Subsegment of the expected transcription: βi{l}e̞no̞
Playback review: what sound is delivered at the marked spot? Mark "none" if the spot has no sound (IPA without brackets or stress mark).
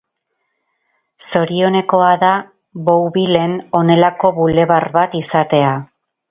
l